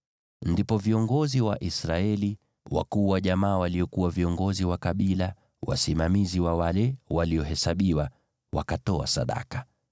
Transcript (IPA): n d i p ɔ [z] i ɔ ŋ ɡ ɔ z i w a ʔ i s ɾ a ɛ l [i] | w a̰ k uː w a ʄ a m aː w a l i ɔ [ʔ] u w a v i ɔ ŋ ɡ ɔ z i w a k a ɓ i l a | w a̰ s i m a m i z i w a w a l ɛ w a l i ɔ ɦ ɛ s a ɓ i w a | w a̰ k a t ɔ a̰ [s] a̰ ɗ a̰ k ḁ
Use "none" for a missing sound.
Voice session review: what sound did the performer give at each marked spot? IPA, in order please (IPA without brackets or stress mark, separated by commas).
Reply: v, i, k, s